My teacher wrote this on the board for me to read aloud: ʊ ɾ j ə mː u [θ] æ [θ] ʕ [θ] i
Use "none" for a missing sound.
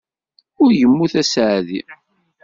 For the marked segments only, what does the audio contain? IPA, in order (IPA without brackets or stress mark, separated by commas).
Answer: θ, s, ð